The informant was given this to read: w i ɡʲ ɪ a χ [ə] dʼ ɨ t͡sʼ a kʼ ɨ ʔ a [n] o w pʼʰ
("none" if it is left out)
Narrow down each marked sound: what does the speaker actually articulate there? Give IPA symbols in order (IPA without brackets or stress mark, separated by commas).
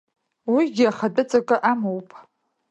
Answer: a, m